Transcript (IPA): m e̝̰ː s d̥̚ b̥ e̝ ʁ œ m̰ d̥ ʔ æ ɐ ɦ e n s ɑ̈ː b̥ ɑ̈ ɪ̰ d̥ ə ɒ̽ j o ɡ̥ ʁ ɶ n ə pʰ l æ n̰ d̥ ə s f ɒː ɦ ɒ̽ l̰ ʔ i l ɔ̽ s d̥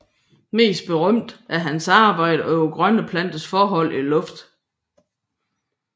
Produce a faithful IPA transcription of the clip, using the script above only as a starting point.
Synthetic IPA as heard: m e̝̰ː s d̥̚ b̥ e̝ ʁ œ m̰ d̥ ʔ æ ɐ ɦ æ n s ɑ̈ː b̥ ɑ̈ ɪ̰ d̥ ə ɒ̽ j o ɡ̥ ʁ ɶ n ə pʰ l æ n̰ d̥ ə s f ɒː ɦ ɒ̽ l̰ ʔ i l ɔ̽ f d̥